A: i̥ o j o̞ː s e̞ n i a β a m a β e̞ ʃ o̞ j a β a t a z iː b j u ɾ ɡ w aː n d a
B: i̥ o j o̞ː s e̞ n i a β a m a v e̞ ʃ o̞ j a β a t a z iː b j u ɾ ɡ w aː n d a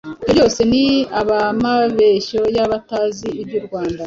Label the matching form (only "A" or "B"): A